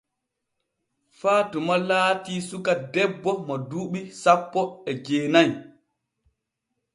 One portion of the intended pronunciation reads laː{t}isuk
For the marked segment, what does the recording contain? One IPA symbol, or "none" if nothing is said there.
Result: t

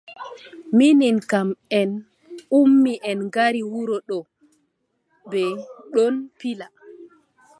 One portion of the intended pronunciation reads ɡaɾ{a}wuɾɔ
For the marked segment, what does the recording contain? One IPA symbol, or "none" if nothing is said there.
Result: i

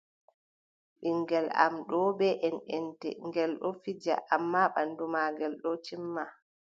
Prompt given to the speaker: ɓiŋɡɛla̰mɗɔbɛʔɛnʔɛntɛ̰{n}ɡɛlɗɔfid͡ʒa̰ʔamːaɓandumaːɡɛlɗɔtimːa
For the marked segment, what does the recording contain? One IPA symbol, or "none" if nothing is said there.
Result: ŋ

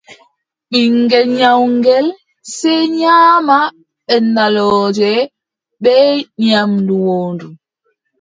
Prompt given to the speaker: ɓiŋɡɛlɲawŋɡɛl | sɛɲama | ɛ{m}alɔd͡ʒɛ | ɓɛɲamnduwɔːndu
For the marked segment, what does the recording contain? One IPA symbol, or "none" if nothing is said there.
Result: n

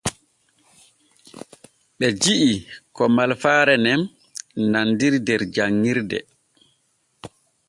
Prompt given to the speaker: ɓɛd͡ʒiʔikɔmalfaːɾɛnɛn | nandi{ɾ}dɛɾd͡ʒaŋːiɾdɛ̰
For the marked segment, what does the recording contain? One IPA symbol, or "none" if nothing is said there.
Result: ɾ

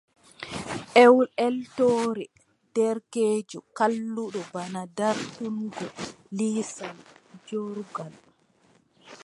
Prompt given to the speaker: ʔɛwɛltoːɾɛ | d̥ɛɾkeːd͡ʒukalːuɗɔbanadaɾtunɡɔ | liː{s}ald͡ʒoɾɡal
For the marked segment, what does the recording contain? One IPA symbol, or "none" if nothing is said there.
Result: s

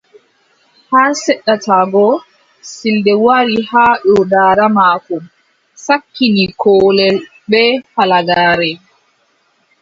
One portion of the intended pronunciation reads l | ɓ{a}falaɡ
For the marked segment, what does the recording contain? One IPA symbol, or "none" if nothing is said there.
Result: ɛ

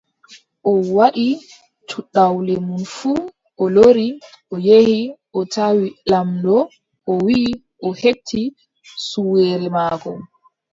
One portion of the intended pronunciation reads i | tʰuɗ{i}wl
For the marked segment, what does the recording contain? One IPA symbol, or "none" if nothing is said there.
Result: a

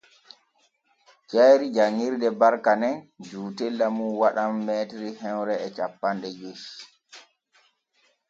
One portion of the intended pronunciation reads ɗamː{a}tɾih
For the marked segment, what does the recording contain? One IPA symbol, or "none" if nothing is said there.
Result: ɛ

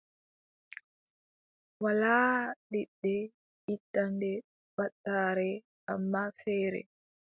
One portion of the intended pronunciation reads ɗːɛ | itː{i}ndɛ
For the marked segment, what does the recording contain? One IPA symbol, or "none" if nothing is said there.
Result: a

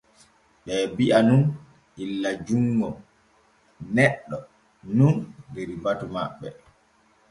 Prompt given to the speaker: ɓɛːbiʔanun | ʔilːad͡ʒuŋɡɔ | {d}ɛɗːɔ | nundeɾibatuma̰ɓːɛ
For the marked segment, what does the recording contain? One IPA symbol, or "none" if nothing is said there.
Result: n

